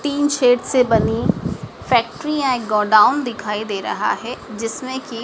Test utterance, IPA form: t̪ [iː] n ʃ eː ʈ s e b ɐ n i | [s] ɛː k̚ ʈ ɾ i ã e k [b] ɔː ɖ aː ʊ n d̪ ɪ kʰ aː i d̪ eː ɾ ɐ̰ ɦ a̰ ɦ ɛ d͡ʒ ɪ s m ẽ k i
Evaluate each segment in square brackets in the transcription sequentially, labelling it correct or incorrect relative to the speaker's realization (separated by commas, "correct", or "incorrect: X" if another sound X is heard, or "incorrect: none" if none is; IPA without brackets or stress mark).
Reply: correct, incorrect: f, incorrect: ɡ